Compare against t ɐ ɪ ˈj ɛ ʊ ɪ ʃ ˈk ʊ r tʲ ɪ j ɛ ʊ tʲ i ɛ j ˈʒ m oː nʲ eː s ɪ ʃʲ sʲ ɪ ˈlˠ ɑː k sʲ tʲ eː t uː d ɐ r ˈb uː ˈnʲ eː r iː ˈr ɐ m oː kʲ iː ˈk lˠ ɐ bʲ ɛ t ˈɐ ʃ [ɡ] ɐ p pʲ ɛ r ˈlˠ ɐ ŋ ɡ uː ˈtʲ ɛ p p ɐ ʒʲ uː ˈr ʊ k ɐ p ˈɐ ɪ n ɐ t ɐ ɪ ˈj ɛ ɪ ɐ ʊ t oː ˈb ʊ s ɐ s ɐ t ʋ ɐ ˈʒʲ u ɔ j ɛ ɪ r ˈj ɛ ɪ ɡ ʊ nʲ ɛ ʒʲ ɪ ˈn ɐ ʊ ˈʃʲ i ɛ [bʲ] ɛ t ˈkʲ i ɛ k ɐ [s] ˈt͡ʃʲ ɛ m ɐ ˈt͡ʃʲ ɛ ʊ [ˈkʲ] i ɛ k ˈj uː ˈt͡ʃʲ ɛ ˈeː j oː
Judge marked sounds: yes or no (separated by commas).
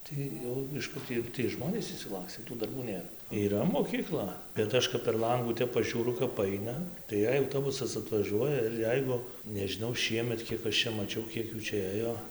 no, no, no, yes